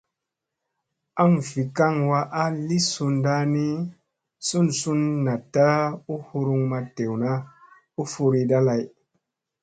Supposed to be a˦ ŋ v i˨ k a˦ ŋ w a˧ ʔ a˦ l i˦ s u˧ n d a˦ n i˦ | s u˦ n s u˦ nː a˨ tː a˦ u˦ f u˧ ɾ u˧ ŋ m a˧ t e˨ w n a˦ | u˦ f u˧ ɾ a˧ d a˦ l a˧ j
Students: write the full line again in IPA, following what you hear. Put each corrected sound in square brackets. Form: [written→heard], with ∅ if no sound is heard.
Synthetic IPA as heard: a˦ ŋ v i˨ k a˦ ŋ w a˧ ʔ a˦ l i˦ s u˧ n d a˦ n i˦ | s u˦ n s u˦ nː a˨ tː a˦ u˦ [f→h] u˧ ɾ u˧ ŋ m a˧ t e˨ w n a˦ | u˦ f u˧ ɾ [a˧→i˧] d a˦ l a˧ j